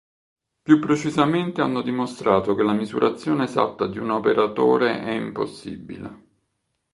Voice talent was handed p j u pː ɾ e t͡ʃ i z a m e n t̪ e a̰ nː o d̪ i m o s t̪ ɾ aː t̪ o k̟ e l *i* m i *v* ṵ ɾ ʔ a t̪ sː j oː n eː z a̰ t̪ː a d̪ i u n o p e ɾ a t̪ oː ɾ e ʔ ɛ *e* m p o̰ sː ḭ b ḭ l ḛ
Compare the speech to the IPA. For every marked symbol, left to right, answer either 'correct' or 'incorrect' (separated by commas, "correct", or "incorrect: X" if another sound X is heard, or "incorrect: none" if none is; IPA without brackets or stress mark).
incorrect: a, incorrect: z, incorrect: i